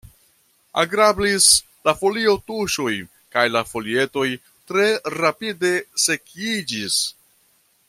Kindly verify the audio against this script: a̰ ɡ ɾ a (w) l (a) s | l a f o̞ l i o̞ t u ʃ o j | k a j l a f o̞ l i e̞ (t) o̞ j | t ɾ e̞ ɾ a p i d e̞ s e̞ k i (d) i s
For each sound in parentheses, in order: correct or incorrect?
incorrect, incorrect, correct, incorrect

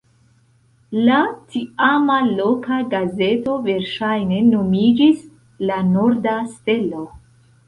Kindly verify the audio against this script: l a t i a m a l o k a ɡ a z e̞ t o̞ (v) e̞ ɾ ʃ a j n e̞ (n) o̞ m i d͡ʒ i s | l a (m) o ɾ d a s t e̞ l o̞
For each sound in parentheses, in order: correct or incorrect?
correct, correct, incorrect

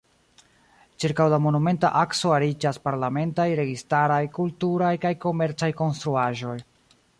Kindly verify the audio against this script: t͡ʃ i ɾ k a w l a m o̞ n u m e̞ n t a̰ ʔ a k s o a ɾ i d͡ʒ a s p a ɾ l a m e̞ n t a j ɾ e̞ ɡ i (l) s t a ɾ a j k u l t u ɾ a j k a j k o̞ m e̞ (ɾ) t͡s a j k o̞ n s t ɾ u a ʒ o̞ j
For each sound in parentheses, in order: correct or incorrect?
incorrect, correct

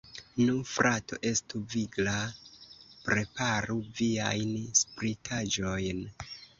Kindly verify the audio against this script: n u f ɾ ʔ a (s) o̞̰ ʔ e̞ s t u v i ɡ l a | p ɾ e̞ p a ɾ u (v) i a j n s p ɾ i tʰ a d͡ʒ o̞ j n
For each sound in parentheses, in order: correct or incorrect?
incorrect, correct

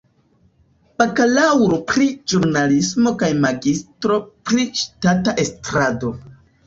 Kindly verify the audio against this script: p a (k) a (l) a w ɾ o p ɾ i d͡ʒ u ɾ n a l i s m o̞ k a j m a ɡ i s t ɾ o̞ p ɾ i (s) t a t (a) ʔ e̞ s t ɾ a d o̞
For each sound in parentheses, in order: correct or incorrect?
correct, correct, incorrect, correct

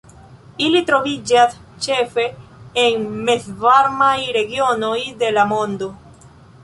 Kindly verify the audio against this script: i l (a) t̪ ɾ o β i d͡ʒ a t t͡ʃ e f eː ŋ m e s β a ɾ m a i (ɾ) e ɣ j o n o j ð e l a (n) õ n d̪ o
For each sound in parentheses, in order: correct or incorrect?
incorrect, correct, incorrect

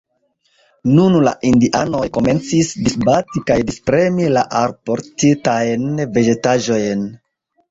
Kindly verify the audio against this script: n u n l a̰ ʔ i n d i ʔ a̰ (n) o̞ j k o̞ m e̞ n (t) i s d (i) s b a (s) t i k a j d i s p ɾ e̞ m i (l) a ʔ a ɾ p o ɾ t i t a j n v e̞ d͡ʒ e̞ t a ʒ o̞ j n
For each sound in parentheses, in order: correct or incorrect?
correct, incorrect, correct, incorrect, correct

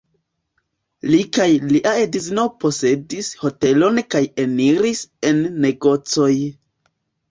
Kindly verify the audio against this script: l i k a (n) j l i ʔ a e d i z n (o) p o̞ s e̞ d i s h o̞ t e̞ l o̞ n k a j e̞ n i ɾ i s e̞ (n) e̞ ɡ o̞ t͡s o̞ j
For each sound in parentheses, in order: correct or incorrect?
incorrect, correct, incorrect

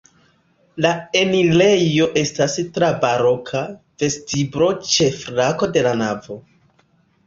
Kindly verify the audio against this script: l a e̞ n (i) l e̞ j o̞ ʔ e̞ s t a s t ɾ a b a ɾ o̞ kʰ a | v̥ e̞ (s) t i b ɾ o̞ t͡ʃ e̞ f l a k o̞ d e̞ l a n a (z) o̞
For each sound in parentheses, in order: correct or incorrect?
correct, correct, incorrect

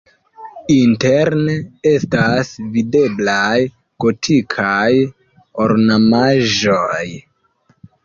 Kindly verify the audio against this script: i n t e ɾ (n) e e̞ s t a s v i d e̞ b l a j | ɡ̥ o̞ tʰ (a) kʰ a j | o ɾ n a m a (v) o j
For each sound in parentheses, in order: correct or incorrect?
correct, incorrect, incorrect

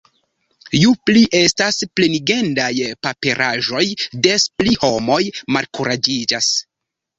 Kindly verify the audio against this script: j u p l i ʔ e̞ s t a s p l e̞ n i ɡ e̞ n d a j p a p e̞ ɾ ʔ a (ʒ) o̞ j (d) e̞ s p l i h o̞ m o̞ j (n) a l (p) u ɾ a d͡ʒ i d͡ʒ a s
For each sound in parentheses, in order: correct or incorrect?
correct, correct, incorrect, incorrect

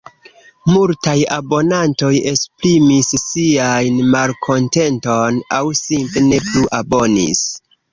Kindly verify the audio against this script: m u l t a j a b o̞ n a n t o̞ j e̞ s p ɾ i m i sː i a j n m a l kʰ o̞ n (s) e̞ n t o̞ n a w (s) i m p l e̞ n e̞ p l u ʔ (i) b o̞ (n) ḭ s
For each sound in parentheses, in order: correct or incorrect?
incorrect, correct, incorrect, correct

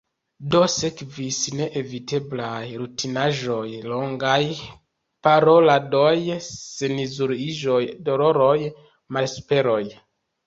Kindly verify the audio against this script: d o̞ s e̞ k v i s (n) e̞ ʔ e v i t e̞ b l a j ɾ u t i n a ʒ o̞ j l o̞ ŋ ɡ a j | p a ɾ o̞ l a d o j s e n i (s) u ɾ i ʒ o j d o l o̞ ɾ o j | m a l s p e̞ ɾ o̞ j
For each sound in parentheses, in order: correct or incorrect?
correct, incorrect

